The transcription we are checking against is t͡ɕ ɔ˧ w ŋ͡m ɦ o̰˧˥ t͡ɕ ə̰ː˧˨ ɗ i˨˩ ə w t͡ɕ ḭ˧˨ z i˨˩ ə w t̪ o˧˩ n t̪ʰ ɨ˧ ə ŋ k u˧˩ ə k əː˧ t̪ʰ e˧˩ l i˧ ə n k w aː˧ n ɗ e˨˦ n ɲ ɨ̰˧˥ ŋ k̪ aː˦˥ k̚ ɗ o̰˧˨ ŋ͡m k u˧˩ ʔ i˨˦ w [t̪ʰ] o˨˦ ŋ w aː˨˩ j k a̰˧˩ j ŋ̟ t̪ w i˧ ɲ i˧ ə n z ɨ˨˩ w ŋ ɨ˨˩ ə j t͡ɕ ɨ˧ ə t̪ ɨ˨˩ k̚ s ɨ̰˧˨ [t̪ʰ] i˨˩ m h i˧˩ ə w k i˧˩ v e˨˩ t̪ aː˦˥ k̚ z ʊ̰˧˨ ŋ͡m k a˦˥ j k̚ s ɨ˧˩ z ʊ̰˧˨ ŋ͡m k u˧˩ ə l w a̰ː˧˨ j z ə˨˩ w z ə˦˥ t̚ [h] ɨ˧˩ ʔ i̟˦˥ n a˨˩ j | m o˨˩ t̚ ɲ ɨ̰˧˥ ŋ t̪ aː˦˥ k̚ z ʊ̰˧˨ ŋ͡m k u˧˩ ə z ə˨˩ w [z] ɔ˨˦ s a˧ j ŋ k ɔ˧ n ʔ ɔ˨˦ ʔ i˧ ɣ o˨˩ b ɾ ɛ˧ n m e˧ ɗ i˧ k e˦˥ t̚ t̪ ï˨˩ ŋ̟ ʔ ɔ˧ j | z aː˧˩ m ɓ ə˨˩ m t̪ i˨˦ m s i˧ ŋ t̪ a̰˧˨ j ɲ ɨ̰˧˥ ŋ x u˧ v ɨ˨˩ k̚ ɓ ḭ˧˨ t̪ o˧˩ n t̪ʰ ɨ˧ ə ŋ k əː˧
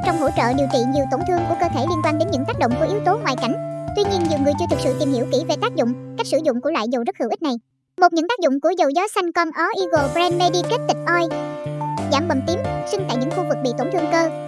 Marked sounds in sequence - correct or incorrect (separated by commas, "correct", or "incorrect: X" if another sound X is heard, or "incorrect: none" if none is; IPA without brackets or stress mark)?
incorrect: t̪, incorrect: t̪, correct, correct